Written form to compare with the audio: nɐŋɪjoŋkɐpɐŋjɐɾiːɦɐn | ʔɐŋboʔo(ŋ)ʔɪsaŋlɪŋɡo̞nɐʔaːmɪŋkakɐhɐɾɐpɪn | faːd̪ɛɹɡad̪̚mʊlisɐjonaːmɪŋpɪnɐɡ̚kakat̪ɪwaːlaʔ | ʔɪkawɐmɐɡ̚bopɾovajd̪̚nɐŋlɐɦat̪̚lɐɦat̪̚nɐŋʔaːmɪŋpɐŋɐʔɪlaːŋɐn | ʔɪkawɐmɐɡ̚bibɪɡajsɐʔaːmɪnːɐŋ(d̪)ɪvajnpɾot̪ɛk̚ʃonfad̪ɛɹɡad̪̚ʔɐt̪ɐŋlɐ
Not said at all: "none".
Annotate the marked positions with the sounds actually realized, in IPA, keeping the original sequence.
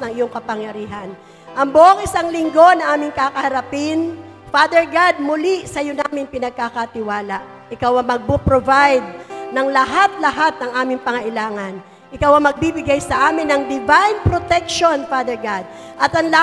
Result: ŋ, d̪

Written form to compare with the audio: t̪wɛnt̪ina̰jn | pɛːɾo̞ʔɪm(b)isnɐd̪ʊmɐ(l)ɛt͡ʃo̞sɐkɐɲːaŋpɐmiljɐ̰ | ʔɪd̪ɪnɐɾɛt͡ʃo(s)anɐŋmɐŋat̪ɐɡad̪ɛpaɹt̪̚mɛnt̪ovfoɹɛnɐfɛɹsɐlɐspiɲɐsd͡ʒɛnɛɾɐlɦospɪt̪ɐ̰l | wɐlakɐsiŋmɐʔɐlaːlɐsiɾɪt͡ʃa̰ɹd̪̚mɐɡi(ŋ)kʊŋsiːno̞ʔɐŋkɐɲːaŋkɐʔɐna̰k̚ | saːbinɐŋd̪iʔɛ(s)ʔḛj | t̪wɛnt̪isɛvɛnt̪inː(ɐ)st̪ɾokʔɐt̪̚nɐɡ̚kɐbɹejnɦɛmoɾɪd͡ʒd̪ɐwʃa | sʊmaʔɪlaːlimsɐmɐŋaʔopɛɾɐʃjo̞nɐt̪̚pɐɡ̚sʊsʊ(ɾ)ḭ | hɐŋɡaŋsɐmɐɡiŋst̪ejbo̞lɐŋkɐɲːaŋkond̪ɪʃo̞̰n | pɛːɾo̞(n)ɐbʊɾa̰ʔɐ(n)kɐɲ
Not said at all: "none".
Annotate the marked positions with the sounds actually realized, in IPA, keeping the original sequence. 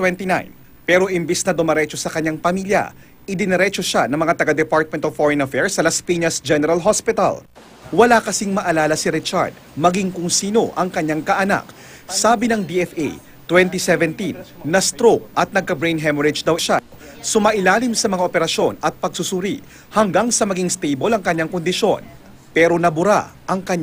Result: b, ɾ, ʃ, ŋ, f, ɐ, ɾ, n, ŋ

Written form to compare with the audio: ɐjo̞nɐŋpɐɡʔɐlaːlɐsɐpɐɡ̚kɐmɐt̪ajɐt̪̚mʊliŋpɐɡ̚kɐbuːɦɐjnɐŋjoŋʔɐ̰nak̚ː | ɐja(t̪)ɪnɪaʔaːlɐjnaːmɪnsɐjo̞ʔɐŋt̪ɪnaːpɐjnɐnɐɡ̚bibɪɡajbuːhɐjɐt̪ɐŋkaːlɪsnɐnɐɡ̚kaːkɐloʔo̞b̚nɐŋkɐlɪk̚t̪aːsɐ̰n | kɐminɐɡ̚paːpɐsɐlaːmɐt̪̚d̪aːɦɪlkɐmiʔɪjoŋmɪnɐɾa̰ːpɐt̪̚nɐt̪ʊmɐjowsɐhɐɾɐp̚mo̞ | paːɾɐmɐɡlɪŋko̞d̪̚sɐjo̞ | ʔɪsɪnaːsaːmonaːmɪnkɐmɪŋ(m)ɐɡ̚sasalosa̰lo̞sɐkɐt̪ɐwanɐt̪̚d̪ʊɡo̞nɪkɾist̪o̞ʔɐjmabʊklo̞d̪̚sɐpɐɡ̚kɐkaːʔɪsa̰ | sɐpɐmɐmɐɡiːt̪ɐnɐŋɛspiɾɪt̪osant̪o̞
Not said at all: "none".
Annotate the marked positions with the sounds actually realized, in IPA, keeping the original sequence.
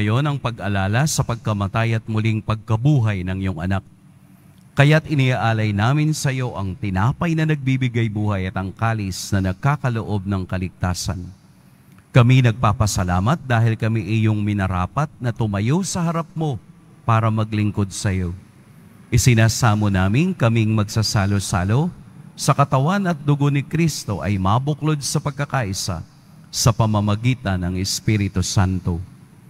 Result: t̪, m

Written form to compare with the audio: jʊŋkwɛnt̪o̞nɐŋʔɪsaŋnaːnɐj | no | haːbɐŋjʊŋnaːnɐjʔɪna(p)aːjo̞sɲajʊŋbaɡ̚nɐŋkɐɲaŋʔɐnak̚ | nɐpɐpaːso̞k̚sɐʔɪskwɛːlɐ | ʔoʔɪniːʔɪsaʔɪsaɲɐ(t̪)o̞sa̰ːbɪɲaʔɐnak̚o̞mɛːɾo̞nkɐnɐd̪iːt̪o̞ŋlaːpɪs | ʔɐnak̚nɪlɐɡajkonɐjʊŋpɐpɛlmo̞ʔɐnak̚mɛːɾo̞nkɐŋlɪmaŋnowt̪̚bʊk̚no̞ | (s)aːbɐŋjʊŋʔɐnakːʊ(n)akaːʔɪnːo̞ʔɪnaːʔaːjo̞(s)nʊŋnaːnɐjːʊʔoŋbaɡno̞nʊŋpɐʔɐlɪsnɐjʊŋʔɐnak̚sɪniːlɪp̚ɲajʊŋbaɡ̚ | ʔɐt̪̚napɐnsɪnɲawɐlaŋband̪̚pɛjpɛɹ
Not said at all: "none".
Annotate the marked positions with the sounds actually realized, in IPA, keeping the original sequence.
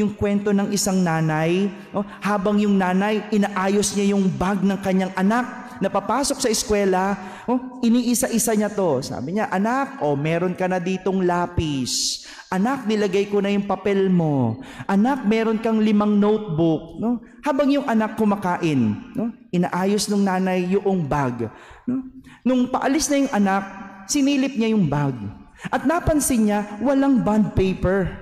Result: ʔ, t̪, h, m, s

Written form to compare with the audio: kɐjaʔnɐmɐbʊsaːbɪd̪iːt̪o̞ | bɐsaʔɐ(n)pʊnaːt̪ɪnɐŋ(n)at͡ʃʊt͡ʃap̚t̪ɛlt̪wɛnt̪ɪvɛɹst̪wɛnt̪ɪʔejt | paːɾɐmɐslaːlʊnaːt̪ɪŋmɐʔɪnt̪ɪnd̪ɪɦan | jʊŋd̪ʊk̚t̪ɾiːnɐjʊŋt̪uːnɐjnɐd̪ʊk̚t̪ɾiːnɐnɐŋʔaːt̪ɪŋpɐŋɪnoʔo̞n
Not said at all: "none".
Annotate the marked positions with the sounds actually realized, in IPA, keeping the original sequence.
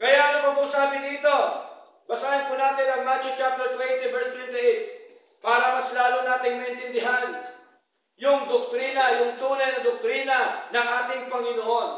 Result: n, m

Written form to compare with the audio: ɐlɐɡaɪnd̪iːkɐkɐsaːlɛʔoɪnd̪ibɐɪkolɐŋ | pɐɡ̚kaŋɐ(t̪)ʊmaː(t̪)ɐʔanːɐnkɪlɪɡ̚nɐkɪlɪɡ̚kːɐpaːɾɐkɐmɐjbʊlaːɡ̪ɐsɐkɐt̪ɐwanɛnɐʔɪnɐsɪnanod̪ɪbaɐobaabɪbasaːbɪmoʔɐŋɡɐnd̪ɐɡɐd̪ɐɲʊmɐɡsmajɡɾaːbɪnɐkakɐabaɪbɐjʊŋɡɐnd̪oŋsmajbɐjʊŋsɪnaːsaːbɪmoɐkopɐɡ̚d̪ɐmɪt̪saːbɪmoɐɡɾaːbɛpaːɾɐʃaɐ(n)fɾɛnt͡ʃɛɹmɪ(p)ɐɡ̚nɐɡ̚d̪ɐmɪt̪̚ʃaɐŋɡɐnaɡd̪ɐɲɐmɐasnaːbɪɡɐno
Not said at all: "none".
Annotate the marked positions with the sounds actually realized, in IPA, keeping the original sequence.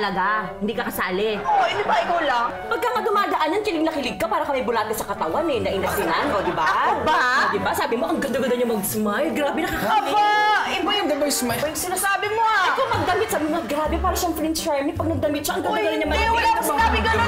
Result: d̪, d̪, ŋ, p

